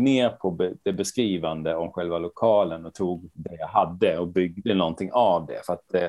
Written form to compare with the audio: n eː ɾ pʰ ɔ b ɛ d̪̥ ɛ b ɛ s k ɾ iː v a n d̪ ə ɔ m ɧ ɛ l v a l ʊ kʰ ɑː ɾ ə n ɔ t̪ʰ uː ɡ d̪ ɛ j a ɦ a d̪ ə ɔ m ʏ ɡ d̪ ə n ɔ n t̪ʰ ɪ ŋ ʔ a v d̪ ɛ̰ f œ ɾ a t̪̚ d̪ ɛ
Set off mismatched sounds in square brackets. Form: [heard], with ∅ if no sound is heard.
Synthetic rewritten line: n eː ɾ pʰ ɔ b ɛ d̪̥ ɛ b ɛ s k ɾ iː v a n d̪ ə ɔ m ɧ ɛ l v a l ʊ kʰ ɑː [l] ə n ɔ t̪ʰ uː ɡ d̪ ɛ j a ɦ a [d̪ː] ə ɔ [b] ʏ ɡ d̪ ə n ɔ n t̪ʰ ɪ ŋ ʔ a v d̪ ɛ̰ f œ ɾ a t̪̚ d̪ ɛ